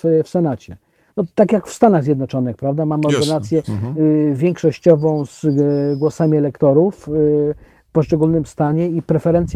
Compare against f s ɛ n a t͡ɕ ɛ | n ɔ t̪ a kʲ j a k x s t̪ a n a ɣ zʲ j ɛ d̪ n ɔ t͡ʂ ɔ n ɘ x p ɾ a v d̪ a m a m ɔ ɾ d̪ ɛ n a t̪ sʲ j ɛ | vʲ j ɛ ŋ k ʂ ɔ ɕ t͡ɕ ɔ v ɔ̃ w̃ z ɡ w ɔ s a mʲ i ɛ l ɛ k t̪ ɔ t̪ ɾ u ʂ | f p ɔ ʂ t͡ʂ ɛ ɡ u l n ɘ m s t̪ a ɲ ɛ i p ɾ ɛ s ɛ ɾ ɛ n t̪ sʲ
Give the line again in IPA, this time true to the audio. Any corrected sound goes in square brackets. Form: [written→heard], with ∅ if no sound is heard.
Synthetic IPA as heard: f s ɛ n a t͡ɕ ɛ | n ɔ t̪ a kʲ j a k [x→f] s t̪ a n a ɣ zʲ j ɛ d̪ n ɔ t͡ʂ ɔ n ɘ x p ɾ a v d̪ a m a m ɔ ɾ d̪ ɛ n a t̪ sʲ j ɛ | vʲ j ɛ ŋ k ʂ ɔ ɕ t͡ɕ ɔ v ɔ̃ w̃ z ɡ w ɔ s a mʲ i ɛ l ɛ k t̪ ɔ [t̪→∅] ɾ u [ʂ→f] | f p ɔ ʂ t͡ʂ ɛ ɡ u l n ɘ m s t̪ a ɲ ɛ i p ɾ ɛ [s→f] ɛ ɾ ɛ n t̪ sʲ